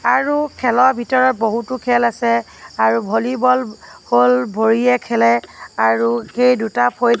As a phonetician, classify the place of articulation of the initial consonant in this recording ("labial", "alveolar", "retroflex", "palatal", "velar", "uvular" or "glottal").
alveolar